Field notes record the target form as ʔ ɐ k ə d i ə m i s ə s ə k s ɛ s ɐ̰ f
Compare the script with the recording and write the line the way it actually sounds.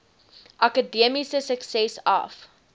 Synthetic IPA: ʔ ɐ k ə d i ə m i s ə s ə k s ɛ s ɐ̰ f